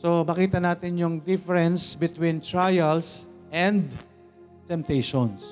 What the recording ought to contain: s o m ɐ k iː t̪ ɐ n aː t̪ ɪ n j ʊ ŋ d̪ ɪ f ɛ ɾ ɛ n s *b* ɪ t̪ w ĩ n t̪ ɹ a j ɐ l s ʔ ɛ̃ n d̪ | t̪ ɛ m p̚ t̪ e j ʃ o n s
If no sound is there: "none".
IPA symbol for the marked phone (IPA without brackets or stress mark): b